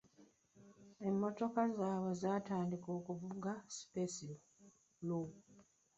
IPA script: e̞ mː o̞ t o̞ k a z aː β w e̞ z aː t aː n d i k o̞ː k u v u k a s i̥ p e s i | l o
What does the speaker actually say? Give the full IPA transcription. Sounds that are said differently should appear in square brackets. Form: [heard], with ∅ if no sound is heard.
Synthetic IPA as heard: e̞ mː o̞ t o̞ k a z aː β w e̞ z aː t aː n d i k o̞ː k u v u [ɡ] a s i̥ p e s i | l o